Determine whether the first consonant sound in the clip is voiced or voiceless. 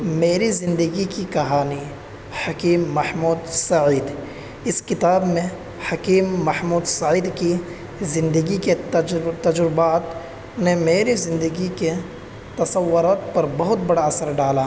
voiced